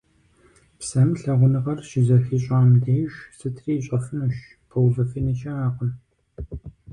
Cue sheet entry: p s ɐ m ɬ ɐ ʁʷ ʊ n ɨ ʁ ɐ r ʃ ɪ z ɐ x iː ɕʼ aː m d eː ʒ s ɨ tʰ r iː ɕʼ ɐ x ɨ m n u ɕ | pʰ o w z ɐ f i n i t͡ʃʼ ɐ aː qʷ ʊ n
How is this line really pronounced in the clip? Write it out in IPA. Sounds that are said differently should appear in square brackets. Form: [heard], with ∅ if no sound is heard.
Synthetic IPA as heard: p s ɐ m ɬ ɐ ʁʷ ʊ n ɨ ʁ ɐ r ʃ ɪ z ɐ x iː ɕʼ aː m d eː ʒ s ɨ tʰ r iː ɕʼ ɐ [f] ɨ [∅] n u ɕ | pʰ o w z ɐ f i n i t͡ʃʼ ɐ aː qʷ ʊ n